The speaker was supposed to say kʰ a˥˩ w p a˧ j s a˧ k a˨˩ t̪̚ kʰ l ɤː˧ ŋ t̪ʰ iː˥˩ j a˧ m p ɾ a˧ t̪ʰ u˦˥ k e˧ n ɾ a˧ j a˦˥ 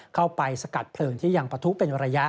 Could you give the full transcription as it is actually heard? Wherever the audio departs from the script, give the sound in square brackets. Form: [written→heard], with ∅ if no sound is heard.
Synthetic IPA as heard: kʰ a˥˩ w p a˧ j s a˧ k a˨˩ t̪̚ [kʰ→pʰ] l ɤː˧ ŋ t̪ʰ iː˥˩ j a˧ [m→ŋ] p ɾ a˧ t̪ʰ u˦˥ [k→p] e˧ n ɾ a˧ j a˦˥